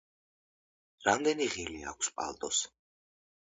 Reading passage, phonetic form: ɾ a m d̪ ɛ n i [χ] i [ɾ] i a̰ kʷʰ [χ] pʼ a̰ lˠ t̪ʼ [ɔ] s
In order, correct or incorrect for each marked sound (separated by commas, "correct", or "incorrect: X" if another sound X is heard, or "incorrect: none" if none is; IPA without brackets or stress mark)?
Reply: incorrect: ʁ, incorrect: l, incorrect: s, correct